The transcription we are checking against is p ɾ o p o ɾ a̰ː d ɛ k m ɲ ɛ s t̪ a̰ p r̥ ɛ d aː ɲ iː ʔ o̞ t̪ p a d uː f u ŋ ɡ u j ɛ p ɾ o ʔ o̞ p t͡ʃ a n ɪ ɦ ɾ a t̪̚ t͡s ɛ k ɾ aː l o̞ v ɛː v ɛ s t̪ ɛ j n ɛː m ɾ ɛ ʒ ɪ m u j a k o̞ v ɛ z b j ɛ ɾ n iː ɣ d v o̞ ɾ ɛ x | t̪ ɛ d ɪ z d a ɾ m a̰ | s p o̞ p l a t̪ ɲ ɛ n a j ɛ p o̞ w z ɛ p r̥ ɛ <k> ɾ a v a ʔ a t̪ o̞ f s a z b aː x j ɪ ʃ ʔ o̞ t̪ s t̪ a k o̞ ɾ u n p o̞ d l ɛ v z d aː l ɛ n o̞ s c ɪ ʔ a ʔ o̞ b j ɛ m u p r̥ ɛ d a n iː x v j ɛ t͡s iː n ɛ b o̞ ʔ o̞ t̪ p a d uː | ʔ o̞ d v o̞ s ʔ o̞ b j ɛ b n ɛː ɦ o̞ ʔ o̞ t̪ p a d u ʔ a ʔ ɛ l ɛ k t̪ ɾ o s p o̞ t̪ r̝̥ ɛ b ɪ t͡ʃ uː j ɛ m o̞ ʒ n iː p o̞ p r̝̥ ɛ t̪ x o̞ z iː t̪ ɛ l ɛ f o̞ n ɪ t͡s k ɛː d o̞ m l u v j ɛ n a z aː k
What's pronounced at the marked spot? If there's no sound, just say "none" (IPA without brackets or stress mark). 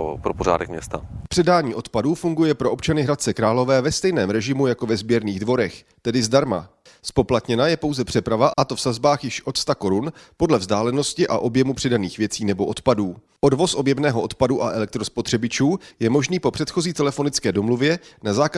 p